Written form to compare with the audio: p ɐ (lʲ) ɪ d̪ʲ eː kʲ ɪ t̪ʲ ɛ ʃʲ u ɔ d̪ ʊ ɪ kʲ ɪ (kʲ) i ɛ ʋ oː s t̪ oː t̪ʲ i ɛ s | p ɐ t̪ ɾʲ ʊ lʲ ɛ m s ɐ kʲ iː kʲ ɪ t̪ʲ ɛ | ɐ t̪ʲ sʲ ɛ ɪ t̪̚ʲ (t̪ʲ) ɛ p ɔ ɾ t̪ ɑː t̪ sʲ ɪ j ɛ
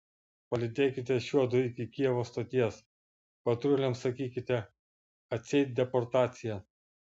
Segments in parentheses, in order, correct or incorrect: correct, correct, incorrect: d̪ʲ

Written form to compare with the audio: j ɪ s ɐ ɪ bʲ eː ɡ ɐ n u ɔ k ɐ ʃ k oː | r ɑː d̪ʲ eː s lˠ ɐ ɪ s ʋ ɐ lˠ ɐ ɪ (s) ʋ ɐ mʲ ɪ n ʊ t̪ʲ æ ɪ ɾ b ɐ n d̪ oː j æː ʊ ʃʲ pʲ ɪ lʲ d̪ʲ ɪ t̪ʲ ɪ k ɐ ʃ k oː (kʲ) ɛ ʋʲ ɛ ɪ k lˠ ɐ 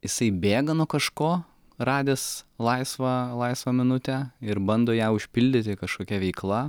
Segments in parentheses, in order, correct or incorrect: correct, correct

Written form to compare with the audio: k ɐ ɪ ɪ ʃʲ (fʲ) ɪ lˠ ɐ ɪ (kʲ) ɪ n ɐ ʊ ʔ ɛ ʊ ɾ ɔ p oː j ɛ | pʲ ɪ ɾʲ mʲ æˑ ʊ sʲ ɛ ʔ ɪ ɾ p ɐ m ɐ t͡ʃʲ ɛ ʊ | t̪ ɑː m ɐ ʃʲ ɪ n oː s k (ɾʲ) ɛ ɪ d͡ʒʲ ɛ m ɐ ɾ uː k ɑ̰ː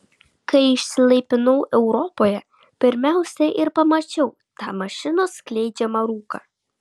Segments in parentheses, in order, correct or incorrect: incorrect: sʲ, incorrect: pʲ, incorrect: lʲ

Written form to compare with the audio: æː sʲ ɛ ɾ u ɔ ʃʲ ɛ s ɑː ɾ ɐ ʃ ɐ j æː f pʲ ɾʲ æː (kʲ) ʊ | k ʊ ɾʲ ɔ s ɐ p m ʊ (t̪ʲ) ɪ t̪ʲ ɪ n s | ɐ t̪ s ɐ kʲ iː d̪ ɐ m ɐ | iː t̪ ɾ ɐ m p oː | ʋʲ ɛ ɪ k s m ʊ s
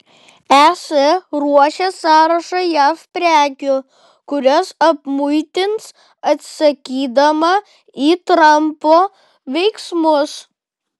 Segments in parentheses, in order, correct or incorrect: correct, incorrect: none

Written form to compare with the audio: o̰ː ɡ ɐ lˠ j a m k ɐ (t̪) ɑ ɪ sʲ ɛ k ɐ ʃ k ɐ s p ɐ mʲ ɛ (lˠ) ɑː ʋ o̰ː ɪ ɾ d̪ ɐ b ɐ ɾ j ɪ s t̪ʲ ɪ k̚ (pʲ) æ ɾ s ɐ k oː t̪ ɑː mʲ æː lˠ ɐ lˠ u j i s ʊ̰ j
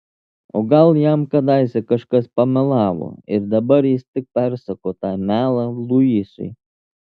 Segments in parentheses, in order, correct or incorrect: incorrect: d̪, correct, correct

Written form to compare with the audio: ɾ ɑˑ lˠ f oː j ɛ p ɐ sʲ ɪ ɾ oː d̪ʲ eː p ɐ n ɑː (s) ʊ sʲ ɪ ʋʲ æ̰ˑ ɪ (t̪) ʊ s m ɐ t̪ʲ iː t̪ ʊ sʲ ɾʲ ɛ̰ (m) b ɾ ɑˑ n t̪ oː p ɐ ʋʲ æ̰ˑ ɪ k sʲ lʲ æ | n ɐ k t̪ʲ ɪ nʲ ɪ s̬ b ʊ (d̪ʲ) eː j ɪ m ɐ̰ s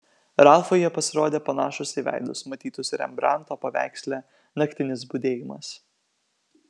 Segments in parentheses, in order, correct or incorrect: incorrect: ʃ, incorrect: d̪, correct, correct

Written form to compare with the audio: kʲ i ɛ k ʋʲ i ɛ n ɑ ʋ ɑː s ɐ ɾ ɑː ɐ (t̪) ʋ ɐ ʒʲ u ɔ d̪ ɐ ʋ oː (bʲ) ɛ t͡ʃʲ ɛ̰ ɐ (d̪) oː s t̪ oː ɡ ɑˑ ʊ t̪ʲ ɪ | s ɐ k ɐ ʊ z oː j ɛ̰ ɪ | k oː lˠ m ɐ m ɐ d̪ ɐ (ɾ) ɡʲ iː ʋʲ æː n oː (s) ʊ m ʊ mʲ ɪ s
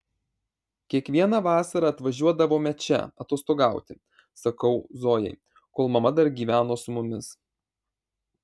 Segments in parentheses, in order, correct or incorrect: correct, incorrect: mʲ, incorrect: t̪, correct, correct

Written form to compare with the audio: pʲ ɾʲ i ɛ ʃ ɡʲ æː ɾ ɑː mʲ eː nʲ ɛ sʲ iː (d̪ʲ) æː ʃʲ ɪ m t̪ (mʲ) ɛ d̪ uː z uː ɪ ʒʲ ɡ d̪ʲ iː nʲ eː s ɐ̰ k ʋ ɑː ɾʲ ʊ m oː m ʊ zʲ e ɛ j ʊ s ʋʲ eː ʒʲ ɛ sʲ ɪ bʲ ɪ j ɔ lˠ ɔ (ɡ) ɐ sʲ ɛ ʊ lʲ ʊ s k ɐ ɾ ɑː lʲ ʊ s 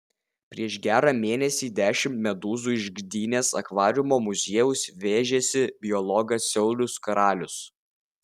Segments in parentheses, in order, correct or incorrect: correct, correct, correct

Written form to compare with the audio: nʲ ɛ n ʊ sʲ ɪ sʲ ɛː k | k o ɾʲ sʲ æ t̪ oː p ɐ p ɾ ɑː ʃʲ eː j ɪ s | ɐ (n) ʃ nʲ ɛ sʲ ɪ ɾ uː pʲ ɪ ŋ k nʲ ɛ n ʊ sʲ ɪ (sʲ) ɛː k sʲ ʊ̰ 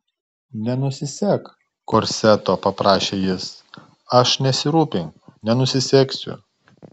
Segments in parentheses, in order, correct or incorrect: incorrect: none, correct

